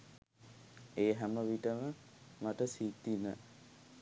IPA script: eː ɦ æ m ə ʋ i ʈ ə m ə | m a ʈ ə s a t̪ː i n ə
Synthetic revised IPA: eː ɦ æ m ə ʋ i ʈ ə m ə | m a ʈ ə s i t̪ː i n ə